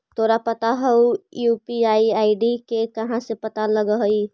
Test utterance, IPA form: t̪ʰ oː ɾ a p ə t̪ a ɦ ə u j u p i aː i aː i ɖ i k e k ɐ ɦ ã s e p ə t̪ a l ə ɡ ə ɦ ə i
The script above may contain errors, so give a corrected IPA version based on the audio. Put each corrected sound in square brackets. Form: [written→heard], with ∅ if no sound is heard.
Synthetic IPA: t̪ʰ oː ɾ a p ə t̪ a ɦ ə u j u p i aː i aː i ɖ i k e k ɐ ɦ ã s e p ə t̪ a l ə ɡ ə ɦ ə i